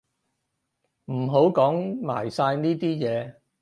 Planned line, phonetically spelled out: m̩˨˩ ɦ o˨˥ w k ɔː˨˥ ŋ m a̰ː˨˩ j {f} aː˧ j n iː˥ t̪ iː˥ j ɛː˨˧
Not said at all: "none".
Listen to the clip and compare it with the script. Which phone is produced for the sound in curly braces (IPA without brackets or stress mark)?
s